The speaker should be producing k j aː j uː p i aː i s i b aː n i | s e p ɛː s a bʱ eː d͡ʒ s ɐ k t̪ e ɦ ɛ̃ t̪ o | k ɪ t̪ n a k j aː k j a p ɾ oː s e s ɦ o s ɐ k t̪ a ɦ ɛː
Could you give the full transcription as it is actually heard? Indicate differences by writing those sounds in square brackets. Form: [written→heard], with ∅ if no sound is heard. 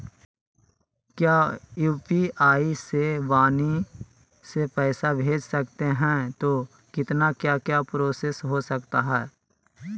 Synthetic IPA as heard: k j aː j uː p i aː i s [i→e] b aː n i | s e p ɛː s a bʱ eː d͡ʒ s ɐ k t̪ e ɦ ɛ̃ t̪ o | k ɪ t̪ n a k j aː k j a p ɾ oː s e s ɦ o s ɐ k t̪ a ɦ ɛː

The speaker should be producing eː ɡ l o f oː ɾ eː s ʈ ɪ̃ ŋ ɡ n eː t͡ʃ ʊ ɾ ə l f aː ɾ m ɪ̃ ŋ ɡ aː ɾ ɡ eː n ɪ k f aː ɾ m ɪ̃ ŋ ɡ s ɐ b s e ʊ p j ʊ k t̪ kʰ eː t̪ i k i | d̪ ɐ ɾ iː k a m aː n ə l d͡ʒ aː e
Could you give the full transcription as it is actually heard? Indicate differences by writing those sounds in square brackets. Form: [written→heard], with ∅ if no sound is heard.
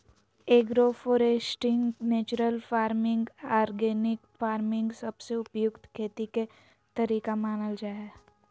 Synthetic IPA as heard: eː ɡ [l→ɾ] o f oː ɾ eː s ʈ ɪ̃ ŋ ɡ n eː t͡ʃ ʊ ɾ ə l f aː ɾ m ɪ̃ ŋ ɡ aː ɾ ɡ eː n ɪ k f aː ɾ m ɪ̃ ŋ ɡ s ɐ b s e ʊ p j ʊ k t̪ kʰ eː t̪ i k [i→e] | [d̪→t̪] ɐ ɾ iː k a m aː n ə l d͡ʒ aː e

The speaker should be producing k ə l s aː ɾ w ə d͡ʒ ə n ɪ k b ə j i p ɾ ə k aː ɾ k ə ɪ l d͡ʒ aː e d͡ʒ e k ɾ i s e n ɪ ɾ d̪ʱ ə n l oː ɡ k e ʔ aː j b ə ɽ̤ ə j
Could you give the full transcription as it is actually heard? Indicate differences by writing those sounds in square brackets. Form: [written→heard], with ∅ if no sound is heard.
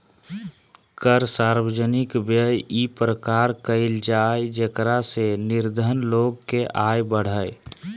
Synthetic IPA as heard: k ə [l→ɾ] s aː ɾ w ə d͡ʒ ə n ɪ k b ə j i p ɾ ə k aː ɾ k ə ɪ l d͡ʒ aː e d͡ʒ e k ɾ [i→a] s e n ɪ ɾ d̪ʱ ə n l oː ɡ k e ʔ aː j b ə ɽ̤ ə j

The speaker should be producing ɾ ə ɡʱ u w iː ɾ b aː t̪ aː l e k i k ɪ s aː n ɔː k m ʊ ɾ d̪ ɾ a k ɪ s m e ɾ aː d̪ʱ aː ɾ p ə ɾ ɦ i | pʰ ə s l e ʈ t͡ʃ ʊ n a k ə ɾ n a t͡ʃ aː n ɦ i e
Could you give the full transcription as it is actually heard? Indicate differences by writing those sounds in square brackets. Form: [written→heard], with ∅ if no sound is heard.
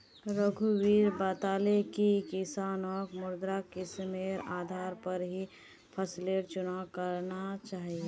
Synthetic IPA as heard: ɾ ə ɡʱ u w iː ɾ b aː t̪ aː l e k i k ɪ s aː n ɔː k m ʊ ɾ d̪ ɾ a k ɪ s m e ɾ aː d̪ʱ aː ɾ p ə ɾ ɦ i | pʰ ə s l e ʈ t͡ʃ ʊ n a k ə ɾ n a t͡ʃ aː [n→∅] ɦ i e

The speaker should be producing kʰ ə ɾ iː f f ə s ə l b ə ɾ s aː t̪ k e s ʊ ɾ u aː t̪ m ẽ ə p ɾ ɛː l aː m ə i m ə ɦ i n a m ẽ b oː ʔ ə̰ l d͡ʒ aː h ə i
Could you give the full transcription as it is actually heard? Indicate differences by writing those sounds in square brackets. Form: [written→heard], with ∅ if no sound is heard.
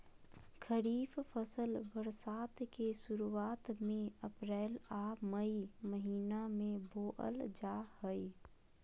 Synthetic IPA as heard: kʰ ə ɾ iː f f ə s ə l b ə ɾ s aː t̪ k e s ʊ ɾ u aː t̪ m ẽ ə p ɾ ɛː l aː m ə i m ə ɦ [i→iː] n a m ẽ b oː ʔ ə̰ l d͡ʒ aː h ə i

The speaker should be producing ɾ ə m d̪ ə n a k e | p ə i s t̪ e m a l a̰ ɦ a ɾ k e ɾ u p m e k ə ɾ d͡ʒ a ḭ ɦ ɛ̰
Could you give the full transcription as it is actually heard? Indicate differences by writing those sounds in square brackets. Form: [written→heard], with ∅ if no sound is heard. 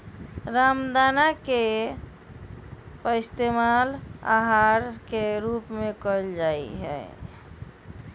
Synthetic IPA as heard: ɾ [ə→a] m d̪ [ə→a] n a k e | p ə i s t̪ e m a l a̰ ɦ a ɾ k e ɾ u p m e k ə [ɾ→l] d͡ʒ a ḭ ɦ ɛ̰

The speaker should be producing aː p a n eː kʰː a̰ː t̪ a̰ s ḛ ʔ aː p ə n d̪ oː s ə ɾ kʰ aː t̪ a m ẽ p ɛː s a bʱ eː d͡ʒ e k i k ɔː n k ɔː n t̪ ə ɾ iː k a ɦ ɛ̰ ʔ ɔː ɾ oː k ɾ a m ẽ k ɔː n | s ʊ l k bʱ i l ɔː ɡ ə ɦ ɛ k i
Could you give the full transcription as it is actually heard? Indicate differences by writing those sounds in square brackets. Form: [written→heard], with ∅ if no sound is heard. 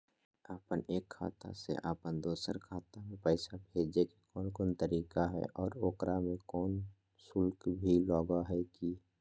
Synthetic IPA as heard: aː p [a→ə] n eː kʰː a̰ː t̪ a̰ s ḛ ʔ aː p ə n d̪ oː s ə ɾ kʰ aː t̪ a m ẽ p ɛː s a bʱ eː d͡ʒ e k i k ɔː n k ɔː n t̪ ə ɾ iː k a ɦ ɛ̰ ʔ ɔː ɾ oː k ɾ a m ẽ k ɔː n | s ʊ l k bʱ i l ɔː ɡ [ə→a] ɦ ɛ k i

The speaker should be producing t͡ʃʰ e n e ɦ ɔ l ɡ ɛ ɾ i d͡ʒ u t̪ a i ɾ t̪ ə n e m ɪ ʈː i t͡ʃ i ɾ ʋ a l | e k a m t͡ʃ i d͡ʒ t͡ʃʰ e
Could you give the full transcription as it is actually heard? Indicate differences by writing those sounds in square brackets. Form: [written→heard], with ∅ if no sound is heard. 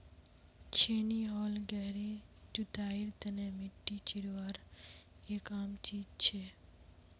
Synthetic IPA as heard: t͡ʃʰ e n [e→i] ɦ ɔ l ɡ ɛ ɾ i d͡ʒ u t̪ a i ɾ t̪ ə n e m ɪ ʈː i t͡ʃ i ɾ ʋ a [l→ɾ] | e k a m t͡ʃ i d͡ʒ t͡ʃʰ e

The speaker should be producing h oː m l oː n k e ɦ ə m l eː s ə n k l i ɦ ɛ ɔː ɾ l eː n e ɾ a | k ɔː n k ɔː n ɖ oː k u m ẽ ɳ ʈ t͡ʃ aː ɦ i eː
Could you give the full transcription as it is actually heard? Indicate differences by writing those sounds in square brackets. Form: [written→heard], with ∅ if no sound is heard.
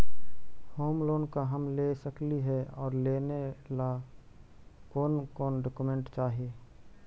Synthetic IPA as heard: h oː m l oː n k [e→a] ɦ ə m l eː s ə [n→∅] k l i ɦ ɛ ɔː ɾ l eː n e [ɾ→l] a | k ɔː n k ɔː n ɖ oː k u m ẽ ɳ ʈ t͡ʃ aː ɦ i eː

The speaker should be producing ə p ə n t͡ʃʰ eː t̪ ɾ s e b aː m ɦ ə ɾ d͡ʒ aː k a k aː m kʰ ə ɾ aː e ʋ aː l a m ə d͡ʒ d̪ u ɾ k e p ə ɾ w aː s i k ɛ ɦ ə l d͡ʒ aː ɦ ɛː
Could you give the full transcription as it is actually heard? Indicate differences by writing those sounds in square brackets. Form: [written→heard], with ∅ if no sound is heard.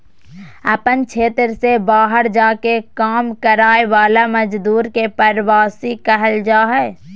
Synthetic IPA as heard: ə p ə n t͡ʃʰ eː t̪ ɾ s e b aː [m→∅] ɦ ə ɾ d͡ʒ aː k [a→e] k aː m [kʰ→k] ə ɾ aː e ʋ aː l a m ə d͡ʒ d̪ [u→uː] ɾ k e p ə ɾ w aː s i k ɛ ɦ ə l d͡ʒ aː ɦ ɛː

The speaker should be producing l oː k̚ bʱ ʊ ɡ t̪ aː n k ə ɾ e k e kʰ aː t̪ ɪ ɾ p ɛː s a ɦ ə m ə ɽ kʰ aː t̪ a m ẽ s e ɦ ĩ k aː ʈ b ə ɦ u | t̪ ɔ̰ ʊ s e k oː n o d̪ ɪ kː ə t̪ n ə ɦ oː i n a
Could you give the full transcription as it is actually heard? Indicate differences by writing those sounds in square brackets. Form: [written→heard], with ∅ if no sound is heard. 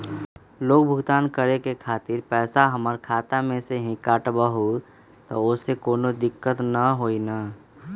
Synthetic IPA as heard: l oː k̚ bʱ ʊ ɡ t̪ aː n k ə ɾ e k e kʰ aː t̪ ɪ ɾ p ɛː s a ɦ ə m ə [ɽ→ɾ] kʰ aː t̪ a m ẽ s e ɦ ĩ k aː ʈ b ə ɦ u | t̪ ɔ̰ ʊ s e k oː n o d̪ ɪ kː ə t̪ n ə ɦ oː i n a

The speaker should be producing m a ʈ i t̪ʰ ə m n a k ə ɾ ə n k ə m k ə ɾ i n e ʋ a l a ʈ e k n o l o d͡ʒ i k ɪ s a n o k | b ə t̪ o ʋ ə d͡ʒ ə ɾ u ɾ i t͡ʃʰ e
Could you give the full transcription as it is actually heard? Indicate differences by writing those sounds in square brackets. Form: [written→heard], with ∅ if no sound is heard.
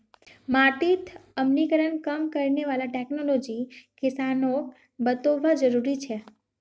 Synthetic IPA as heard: m a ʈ i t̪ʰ ə m n [a→i] k ə ɾ ə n k ə m k ə ɾ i n e ʋ a l a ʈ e k n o l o d͡ʒ i k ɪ s a n o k | b ə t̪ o ʋ [ə→a] d͡ʒ ə ɾ u ɾ i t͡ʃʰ e

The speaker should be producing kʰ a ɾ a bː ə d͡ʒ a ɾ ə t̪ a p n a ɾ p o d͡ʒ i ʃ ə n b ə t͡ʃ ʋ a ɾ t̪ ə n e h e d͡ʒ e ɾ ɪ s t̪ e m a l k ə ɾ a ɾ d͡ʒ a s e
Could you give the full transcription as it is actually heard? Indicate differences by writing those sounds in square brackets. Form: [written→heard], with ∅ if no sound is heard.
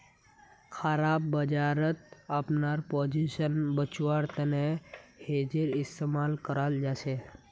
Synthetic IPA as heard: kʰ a ɾ a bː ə d͡ʒ a ɾ ə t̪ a p n a ɾ p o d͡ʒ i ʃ ə n b ə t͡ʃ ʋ a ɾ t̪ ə n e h e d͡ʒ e ɾ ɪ s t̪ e m a l k ə ɾ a [ɾ→l] d͡ʒ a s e

